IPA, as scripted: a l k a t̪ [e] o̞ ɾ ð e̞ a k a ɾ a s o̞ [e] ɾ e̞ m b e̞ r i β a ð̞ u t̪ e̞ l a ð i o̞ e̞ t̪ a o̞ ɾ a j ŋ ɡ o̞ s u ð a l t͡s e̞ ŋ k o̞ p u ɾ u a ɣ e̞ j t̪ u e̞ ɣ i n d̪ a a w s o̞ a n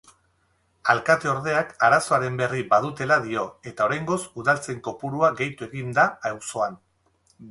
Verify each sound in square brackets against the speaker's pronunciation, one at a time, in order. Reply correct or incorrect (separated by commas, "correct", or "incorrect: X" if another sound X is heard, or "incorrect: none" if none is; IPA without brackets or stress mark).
correct, incorrect: a